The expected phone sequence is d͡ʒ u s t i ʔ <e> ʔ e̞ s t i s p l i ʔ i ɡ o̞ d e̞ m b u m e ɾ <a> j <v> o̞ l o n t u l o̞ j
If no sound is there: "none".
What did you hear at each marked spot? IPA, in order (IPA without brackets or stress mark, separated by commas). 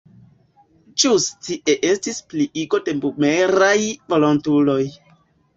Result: e, a, v